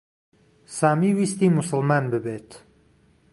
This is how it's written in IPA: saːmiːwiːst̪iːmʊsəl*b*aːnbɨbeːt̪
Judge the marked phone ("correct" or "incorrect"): incorrect